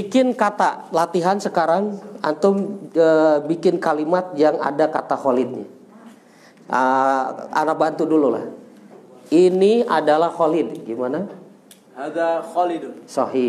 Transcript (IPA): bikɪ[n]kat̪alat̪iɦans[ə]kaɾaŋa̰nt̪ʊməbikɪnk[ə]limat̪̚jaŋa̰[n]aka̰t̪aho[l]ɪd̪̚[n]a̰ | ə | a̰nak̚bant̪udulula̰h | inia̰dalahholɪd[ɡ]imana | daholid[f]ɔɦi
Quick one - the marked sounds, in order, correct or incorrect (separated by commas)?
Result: correct, correct, incorrect, incorrect, correct, incorrect, correct, incorrect